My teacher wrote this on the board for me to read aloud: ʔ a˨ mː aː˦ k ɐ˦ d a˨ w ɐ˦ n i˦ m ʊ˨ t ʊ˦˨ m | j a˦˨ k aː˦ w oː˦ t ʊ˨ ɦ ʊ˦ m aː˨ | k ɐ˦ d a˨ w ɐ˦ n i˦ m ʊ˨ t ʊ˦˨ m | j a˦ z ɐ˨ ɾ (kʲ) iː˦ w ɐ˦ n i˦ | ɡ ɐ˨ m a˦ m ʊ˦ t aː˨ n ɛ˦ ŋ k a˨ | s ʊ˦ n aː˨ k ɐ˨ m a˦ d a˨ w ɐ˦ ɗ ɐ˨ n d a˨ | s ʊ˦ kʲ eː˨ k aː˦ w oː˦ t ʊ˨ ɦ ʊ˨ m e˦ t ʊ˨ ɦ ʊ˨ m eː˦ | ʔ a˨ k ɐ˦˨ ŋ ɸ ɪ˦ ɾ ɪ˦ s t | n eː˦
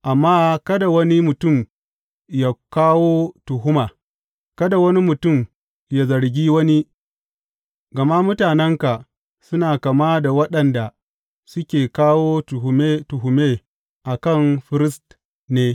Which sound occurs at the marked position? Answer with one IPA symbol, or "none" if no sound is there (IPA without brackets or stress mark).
ɡʲ